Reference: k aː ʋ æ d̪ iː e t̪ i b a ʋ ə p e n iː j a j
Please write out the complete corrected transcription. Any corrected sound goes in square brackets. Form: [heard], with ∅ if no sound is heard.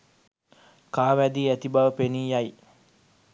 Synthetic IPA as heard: k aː ʋ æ d̪ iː [æ] t̪ i b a ʋ ə p e n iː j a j

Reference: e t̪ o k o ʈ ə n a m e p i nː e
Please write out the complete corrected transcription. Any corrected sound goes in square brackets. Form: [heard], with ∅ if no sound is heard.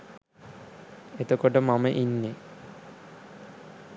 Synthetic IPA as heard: e t̪ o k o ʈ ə [m] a m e [ʔ] i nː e

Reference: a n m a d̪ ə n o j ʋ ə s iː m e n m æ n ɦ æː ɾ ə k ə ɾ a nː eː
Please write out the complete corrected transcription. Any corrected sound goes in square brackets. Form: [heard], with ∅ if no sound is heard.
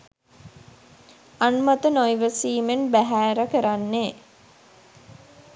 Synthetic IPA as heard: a n m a [t̪] ə n o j ʋ ə s iː m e n [b] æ [∅] ɦ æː ɾ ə k ə ɾ a nː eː

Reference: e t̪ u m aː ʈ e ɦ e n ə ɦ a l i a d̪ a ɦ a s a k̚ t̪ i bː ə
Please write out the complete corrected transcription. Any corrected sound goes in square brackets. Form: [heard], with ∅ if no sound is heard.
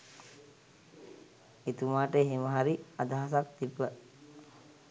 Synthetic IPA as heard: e t̪ u m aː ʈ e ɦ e [m] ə ɦ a [ɾ] i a d̪ a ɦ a s a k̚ t̪ i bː ə

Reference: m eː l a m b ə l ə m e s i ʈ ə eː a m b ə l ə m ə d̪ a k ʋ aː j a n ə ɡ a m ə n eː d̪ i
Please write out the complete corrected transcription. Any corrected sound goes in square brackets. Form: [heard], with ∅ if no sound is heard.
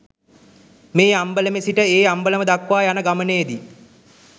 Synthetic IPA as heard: m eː [∅] a m b ə l ə m e s i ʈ ə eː a m b ə l ə m ə d̪ a k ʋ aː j a n ə ɡ a m ə n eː d̪ i

